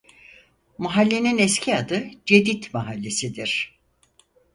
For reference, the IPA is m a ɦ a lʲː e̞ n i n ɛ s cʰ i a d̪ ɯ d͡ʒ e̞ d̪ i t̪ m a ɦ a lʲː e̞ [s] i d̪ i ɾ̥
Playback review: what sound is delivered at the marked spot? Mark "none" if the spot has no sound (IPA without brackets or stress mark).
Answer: s